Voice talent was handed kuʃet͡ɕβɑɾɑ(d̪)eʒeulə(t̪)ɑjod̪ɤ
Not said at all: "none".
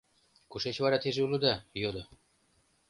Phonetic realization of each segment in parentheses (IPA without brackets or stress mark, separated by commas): t̪, d̪